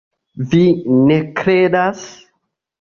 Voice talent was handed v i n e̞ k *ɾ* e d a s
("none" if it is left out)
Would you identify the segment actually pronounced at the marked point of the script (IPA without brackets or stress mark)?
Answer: ɾ